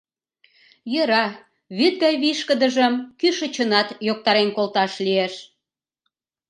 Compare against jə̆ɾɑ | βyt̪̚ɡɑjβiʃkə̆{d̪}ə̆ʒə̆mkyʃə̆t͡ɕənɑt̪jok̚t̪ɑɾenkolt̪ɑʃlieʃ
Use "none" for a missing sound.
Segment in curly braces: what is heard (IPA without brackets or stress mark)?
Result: d̪